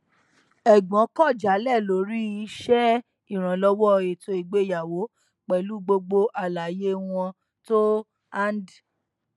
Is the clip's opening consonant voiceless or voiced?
voiced